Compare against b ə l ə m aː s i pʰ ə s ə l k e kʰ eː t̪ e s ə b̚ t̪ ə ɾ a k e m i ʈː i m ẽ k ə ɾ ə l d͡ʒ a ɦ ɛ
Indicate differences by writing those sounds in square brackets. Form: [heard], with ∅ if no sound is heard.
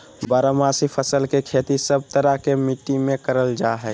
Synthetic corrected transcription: b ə [ɾ] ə m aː s i pʰ ə s ə l k e kʰ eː t̪ [i] s ə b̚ t̪ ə ɾ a k e m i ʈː i m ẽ k ə ɾ ə l d͡ʒ a ɦ ɛ

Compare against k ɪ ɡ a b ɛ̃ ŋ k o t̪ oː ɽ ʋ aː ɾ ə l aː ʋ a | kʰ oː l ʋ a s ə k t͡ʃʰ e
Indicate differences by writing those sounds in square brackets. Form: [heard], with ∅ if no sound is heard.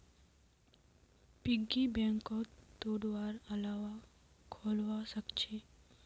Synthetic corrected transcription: [p] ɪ ɡ [i] b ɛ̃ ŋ k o t̪ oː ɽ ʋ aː ɾ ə l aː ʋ a | kʰ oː l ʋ a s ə k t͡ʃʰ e

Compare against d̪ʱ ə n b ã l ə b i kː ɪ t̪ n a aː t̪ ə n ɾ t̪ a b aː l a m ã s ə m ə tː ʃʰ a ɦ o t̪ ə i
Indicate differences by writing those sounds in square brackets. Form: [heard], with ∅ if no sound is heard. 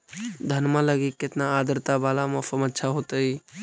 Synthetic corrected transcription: d̪ʱ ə n [m] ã l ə [ɡ] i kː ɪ t̪ n a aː [d̪] ə [∅] ɾ t̪ a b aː l a m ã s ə m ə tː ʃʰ a ɦ o t̪ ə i

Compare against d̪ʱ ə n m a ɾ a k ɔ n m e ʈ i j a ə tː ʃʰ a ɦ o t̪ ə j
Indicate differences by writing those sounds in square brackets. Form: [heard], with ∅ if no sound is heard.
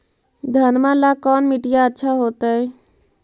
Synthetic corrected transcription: d̪ʱ ə n m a [l] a k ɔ n m [i] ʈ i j a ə tː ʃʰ a ɦ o t̪ ə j

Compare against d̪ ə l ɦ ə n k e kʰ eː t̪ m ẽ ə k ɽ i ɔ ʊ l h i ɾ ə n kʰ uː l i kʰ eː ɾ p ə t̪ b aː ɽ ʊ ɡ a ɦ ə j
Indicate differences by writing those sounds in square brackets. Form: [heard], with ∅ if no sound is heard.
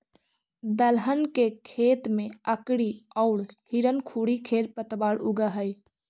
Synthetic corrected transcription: d̪ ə l ɦ ə n k e kʰ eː t̪ m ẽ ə k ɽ i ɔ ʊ [ɽ] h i ɾ ə n kʰ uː [ɽ] i kʰ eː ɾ p ə t̪ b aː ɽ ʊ ɡ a ɦ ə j

